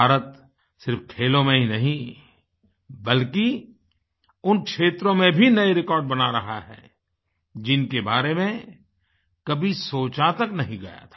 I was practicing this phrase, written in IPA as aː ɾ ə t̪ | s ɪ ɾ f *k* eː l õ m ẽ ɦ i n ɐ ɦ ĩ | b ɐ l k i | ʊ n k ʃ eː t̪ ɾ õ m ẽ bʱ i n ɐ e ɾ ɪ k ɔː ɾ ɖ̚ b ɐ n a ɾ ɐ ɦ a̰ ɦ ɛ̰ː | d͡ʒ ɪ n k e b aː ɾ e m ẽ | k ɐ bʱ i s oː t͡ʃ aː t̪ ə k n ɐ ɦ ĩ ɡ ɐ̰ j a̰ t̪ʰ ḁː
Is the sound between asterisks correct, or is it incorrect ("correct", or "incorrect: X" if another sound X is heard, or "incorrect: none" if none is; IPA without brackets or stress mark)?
incorrect: kʰ